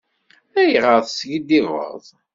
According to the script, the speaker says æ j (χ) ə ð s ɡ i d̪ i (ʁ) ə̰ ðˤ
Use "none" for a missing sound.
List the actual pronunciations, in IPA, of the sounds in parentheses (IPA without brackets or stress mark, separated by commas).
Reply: ʁ, v